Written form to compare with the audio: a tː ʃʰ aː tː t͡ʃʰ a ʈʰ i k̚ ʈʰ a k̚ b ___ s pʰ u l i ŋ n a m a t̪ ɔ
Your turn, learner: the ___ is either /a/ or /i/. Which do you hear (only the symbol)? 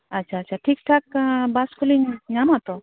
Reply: a